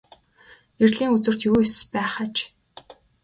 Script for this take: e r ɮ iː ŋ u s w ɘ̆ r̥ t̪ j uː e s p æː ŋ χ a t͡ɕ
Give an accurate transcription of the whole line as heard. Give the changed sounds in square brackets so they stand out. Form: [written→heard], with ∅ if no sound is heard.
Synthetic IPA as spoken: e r ɮ iː ŋ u [s→t͡s] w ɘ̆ r̥ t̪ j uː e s p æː [ŋ→∅] χ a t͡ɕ